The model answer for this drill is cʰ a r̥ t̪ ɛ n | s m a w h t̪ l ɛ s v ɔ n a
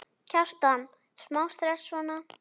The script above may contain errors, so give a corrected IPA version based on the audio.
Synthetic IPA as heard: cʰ a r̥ t̪ a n | s m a w s t̪ ɾ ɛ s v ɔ n a